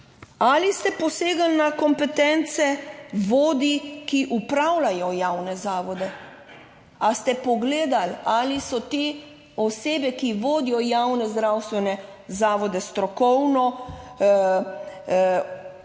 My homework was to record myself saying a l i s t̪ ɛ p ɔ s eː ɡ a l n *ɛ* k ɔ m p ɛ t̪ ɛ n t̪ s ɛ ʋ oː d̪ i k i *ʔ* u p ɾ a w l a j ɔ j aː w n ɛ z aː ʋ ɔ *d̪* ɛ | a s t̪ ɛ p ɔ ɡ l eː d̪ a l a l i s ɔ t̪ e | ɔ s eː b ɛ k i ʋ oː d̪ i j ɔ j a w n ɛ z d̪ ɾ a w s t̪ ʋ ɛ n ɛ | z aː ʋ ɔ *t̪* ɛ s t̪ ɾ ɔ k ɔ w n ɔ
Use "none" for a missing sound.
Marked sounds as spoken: a, ʔ, d̪, d̪

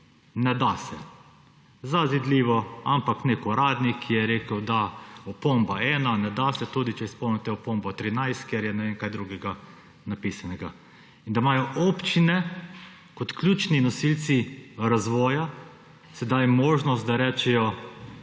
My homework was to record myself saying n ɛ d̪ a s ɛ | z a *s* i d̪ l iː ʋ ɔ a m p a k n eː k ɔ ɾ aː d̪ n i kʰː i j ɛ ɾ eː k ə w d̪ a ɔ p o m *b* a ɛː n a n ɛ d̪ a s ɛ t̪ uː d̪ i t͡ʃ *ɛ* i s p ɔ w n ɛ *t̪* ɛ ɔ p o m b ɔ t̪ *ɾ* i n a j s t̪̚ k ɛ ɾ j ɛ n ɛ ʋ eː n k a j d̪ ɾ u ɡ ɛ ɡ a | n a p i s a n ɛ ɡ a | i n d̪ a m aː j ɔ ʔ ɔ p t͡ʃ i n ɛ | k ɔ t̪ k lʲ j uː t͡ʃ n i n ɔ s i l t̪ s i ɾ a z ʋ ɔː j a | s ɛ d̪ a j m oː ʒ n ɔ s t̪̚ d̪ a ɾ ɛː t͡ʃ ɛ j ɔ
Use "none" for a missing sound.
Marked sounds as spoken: z, b, ɛ, t̪, ɾ

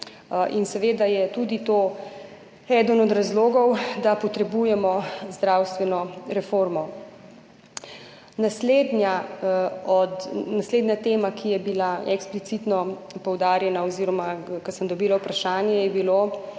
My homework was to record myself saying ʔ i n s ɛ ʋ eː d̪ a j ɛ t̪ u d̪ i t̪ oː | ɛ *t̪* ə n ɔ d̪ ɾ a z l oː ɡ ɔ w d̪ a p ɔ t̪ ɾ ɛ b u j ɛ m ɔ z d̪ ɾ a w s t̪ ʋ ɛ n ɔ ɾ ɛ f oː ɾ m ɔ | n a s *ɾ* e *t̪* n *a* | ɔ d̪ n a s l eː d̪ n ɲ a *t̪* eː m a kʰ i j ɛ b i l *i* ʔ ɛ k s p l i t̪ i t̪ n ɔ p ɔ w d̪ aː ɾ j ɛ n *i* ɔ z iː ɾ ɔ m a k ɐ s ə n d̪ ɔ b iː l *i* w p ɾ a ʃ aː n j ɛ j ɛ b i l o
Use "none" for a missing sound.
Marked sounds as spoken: d̪, l, d̪, a, t̪, a, a, a

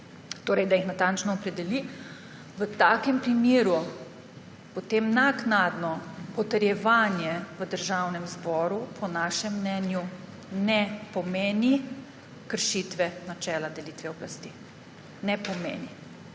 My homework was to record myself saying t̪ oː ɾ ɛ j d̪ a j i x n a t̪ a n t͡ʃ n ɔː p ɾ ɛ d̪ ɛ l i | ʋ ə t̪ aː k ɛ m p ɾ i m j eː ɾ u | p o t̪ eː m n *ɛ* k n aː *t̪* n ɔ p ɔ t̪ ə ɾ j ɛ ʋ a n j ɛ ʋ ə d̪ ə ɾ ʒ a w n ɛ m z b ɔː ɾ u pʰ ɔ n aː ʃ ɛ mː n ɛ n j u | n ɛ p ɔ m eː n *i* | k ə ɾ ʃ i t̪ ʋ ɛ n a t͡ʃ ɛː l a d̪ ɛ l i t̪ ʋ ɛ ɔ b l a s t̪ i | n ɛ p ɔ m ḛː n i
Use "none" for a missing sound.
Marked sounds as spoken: a, d̪, i

